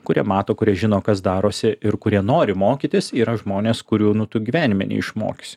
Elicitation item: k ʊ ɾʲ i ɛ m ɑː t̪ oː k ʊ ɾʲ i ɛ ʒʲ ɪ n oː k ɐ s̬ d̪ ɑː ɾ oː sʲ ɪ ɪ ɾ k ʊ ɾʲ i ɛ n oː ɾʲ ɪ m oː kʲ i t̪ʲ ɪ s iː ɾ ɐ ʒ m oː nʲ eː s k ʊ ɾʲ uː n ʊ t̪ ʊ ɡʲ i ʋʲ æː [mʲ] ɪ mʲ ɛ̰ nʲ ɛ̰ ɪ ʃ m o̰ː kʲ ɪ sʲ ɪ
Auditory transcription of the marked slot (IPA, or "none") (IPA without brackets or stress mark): nʲ